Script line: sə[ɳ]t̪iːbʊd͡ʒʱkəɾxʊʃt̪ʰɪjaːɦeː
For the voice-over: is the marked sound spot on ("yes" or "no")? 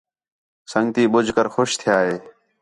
no